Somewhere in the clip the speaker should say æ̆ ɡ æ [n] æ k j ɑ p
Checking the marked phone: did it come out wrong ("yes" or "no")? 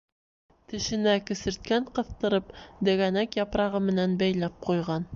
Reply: no